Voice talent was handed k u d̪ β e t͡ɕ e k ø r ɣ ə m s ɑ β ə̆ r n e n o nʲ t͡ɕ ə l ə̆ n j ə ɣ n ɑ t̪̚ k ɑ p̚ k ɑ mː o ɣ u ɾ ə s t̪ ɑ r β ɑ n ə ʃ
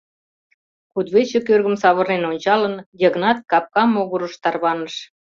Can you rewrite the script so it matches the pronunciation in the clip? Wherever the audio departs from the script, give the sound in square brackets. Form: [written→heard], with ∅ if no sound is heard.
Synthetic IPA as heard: k u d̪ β e t͡ɕ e k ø r ɣ ə m s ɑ β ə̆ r n e n o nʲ t͡ɕ [ə→ɑ] l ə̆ n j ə ɣ n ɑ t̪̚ k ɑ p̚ k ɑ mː o ɣ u ɾ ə [s→ʃ] t̪ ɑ r β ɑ n ə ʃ